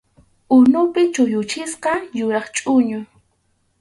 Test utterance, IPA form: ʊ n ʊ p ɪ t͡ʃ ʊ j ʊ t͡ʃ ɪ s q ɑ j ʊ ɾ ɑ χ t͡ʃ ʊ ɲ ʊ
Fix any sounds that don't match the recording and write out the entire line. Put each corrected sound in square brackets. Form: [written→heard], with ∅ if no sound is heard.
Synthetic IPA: ʊ n ʊ p ɪ t͡ʃ ʊ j ʊ t͡ʃ ɪ s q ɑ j ʊ ɾ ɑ χ [t͡ʃ→t͡ʃʼ] ʊ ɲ ʊ